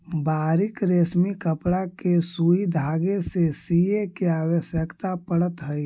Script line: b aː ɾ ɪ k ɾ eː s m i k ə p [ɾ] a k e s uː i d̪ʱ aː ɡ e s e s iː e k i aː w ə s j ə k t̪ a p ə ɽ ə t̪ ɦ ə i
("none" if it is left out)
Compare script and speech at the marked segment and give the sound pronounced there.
ɽ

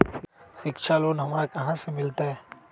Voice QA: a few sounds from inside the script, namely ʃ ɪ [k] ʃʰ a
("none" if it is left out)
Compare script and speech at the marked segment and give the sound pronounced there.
k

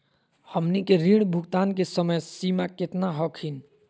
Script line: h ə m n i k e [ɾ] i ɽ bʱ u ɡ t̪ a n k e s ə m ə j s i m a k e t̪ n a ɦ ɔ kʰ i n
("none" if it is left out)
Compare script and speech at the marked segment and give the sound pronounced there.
ɾ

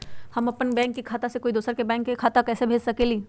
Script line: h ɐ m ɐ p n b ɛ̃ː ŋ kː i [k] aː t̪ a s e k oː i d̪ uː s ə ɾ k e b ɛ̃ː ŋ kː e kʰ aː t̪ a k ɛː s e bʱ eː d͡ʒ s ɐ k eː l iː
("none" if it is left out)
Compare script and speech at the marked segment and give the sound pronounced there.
kʰ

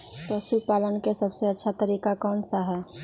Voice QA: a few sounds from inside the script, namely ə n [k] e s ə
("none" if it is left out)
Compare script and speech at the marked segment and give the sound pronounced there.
k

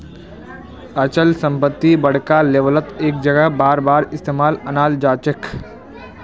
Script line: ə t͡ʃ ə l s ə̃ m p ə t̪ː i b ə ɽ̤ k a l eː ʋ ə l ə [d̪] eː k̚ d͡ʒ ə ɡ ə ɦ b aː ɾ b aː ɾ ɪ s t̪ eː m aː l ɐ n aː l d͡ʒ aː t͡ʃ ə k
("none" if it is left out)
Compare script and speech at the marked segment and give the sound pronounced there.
t̪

